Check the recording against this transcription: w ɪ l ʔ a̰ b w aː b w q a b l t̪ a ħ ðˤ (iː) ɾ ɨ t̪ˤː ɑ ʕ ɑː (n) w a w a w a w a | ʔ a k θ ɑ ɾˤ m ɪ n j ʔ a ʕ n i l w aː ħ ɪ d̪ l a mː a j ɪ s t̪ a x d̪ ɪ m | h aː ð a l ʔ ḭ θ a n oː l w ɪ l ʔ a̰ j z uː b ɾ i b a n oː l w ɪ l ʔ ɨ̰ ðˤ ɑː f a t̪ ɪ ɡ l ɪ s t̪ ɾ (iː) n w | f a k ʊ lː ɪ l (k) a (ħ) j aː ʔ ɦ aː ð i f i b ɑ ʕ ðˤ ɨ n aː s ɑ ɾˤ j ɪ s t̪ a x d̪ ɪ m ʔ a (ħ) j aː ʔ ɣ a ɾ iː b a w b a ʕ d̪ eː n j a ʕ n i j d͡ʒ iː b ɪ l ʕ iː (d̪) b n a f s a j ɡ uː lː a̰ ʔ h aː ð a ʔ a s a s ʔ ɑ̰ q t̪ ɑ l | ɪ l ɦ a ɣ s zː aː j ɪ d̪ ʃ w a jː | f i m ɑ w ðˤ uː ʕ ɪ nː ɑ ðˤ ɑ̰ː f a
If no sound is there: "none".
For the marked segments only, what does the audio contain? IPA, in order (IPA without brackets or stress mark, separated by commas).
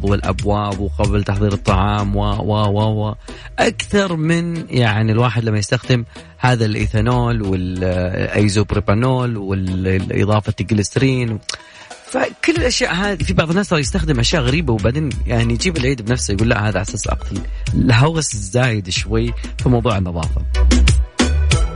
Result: iː, m, iː, ʔ, ʃ, ʃ, d̪